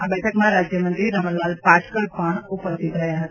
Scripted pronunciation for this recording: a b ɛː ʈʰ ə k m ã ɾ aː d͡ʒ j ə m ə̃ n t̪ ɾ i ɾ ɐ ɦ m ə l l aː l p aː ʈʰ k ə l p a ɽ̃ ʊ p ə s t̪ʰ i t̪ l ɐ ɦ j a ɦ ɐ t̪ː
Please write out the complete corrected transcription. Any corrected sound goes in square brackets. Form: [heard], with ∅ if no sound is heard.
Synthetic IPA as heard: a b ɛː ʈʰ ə k m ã ɾ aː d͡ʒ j ə m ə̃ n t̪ ɾ i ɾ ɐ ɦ m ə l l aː l p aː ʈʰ k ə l p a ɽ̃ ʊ p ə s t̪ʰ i t̪ [ɾ] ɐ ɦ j a ɦ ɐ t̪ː